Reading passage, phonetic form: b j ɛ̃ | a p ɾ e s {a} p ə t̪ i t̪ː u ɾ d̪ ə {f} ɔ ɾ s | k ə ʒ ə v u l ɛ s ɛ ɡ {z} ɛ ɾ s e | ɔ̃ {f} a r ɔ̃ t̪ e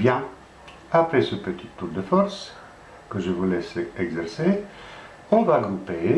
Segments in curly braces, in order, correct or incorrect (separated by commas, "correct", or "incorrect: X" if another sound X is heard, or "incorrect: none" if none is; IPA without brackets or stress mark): incorrect: ə, correct, correct, incorrect: v